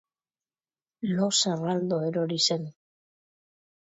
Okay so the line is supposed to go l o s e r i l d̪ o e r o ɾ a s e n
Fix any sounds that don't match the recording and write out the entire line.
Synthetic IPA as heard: l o s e r a l d̪ o e ɾ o ɾ i s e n